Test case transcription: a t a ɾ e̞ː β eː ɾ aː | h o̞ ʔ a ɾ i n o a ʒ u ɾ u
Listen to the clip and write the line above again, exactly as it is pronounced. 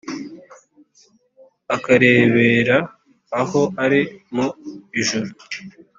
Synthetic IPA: a k a ɾ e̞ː β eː ɾ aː | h o̞ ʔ a ɾ i m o i ʒ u ɾ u